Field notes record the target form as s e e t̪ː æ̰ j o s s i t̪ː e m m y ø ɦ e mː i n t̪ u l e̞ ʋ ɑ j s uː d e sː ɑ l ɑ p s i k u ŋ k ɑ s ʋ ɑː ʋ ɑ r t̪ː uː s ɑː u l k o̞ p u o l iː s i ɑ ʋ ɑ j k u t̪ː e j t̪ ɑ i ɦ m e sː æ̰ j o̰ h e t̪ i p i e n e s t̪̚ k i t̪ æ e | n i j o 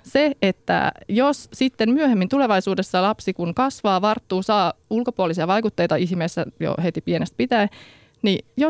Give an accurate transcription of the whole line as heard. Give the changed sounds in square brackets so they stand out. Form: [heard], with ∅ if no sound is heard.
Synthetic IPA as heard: s e e t̪ː æ̰ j o s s i t̪ː e m m y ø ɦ e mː i n t̪ u l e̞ ʋ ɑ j s uː d e sː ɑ l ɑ p s i k u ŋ k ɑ s ʋ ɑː ʋ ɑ r t̪ː uː s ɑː u l k o̞ p u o l [i] s i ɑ ʋ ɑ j k u t̪ː e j t̪ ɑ i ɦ m e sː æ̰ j o̰ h e t̪ i p i e n e s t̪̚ [p] i t̪ æ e | n i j o